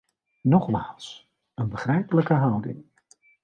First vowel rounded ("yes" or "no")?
yes